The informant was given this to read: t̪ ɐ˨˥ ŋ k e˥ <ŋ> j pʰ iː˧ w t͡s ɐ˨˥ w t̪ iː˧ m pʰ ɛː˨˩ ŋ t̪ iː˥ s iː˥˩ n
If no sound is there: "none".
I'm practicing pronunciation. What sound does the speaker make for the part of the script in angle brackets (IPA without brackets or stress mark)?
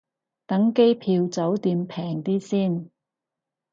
none